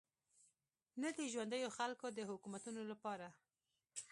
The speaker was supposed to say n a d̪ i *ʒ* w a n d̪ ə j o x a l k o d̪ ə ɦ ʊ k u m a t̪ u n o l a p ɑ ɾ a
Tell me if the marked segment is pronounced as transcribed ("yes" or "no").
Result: yes